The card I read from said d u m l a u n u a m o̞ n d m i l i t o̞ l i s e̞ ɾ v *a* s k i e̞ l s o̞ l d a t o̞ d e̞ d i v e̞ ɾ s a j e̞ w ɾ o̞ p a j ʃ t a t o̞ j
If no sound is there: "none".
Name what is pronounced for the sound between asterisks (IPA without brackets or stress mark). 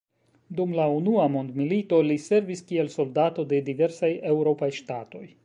i